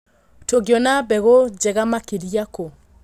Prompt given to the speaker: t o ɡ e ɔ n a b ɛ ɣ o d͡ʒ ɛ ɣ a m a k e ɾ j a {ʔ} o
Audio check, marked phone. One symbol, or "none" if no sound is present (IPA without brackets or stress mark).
k